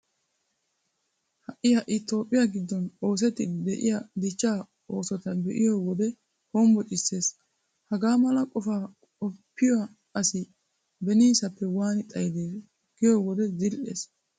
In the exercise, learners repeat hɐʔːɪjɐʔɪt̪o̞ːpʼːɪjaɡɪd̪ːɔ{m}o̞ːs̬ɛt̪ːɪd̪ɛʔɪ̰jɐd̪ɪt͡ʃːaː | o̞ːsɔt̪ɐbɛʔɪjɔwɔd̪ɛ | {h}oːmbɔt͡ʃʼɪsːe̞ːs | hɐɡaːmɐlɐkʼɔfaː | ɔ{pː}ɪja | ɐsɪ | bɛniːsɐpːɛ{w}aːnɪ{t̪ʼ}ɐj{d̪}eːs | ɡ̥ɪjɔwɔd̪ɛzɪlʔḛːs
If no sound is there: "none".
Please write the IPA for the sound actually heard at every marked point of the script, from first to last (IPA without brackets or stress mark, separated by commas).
n, h, pː, w, t̪ʼ, d̪